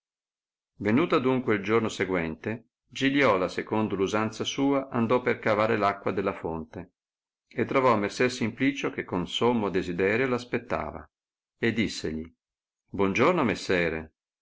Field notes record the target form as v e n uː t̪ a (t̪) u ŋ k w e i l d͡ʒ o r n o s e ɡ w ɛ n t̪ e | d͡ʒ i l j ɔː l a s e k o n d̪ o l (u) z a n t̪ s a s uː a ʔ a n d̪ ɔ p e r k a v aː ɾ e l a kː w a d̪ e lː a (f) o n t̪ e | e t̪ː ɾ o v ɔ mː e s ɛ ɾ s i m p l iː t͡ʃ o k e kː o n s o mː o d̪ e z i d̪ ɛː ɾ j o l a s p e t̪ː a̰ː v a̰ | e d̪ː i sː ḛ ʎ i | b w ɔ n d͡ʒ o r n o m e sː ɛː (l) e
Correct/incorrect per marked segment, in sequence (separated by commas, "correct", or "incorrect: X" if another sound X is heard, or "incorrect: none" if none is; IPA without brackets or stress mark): incorrect: d̪, correct, correct, incorrect: ɾ